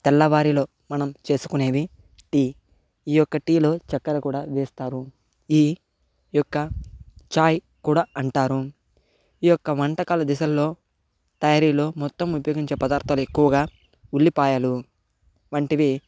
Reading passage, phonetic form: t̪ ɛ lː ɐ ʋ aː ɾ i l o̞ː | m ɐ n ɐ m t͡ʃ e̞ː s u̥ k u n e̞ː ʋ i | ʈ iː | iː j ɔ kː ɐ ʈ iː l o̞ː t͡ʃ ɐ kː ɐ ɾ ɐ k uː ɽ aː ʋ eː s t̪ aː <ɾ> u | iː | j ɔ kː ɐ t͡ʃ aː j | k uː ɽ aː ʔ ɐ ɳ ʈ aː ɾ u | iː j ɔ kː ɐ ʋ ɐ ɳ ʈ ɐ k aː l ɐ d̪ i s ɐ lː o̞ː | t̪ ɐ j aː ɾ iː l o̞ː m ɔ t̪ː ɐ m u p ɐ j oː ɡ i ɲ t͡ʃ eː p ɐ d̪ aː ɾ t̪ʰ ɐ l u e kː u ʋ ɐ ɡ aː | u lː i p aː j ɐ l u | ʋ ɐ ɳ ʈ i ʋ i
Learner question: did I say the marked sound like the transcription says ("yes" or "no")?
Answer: yes